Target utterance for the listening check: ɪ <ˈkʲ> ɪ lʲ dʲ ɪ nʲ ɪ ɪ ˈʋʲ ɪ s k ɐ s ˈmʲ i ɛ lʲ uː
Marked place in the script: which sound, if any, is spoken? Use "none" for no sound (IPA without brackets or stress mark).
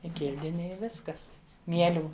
kʲ